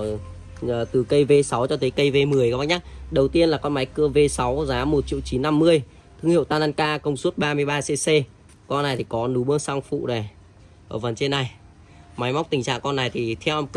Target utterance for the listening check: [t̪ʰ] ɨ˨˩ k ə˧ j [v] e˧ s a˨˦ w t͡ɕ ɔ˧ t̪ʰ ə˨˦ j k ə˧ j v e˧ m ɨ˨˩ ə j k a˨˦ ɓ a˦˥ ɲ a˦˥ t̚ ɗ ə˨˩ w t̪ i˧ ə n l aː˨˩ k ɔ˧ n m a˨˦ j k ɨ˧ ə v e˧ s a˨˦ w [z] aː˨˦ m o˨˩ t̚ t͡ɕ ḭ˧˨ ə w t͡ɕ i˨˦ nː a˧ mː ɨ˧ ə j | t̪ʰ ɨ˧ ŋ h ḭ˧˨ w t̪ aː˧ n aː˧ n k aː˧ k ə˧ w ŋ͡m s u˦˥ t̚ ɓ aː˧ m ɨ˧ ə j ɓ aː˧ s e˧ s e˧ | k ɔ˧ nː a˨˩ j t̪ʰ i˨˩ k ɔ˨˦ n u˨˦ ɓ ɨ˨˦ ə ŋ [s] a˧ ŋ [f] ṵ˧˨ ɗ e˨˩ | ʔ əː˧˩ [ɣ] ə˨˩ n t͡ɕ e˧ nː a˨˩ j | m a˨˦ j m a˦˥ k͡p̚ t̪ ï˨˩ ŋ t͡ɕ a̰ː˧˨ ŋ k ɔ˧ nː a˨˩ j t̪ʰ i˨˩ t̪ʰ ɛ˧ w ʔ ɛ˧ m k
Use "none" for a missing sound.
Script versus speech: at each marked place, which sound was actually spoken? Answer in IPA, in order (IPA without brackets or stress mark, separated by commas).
t̪, v, z, s, f, v